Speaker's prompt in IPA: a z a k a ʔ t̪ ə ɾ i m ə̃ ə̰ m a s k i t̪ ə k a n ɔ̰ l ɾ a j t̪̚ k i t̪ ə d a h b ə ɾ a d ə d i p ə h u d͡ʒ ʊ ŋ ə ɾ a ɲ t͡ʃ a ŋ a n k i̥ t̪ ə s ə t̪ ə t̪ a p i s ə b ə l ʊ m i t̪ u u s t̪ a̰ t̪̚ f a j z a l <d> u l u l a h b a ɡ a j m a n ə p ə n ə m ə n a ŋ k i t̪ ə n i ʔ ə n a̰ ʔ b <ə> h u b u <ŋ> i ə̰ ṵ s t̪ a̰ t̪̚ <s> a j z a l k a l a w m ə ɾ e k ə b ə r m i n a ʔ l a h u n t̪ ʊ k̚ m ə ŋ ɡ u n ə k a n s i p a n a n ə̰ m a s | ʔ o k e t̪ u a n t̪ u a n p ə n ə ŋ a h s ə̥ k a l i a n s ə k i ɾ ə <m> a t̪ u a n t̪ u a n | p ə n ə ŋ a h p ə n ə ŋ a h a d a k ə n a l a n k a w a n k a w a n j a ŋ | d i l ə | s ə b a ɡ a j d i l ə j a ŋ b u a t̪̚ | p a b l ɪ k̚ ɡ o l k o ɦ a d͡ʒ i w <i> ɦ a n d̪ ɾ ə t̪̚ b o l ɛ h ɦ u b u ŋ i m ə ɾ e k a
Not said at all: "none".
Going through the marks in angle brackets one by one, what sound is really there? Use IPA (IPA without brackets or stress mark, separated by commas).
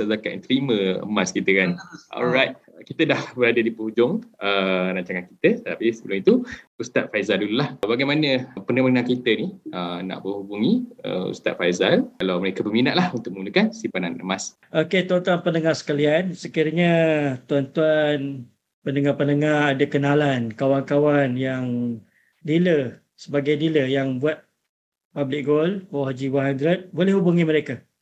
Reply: d, ə, ŋ, f, ɲ, a